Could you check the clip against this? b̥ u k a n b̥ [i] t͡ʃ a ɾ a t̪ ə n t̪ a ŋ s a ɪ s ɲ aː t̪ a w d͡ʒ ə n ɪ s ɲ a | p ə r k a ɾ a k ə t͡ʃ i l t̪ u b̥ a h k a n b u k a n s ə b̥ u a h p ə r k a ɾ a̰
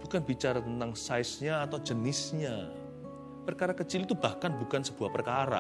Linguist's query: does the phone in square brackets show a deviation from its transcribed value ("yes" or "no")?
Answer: no